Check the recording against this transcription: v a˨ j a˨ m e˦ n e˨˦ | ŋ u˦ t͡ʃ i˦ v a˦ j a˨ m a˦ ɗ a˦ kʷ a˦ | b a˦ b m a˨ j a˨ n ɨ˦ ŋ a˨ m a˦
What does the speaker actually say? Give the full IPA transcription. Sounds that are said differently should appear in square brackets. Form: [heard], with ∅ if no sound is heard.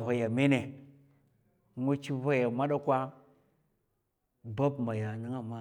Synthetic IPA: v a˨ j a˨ m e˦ n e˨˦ | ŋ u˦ t͡ʃ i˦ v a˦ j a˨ m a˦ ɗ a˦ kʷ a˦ | b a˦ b m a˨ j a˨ n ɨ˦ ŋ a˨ m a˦